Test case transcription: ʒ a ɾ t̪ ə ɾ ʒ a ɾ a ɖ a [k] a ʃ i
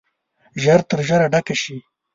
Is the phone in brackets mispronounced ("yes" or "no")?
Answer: no